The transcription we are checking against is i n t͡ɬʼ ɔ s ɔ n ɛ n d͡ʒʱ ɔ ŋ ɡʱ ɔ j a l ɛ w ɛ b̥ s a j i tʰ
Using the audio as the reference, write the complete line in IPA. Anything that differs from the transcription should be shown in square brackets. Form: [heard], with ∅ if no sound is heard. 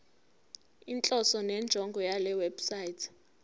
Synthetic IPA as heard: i n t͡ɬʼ ɔ s ɔ n ɛ n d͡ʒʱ ɔ ŋ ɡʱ ɔ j a l ɛ w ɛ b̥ s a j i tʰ

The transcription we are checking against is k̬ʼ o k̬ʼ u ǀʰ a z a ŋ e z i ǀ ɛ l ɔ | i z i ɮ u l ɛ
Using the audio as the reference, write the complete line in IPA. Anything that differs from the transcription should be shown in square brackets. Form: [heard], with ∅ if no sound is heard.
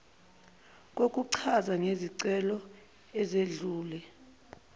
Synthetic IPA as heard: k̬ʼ o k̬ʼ u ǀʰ a z a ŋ e z i ǀ ɛ l ɔ | [ɛ] z [e] ɮ [uː] l ɛ

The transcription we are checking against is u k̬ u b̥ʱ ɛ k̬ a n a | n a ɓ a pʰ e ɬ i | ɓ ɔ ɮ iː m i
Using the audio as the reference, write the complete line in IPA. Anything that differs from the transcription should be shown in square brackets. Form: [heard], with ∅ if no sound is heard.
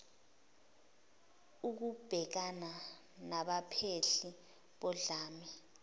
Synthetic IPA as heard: u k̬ u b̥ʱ ɛ k̬ a n a | n a ɓ a pʰ e ɬ i | ɓ ɔ ɮ [aː] m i

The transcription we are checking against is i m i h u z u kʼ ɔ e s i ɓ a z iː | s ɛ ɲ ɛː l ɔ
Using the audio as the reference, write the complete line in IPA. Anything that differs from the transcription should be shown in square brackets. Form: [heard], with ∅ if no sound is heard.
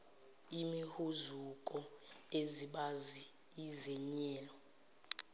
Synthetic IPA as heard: i m i h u z u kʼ ɔ e [z] i ɓ a z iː | [z] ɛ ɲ ɛː l ɔ

